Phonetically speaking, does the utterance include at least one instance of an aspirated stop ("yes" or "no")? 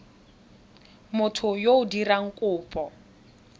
yes